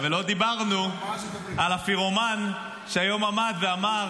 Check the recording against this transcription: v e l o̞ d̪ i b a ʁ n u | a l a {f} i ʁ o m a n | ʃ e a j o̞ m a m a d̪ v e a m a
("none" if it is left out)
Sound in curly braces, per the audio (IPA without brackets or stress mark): f